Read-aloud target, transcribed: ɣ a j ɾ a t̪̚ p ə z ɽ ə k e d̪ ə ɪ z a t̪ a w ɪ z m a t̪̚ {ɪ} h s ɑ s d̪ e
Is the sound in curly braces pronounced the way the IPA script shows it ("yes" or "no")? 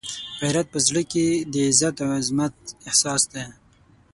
yes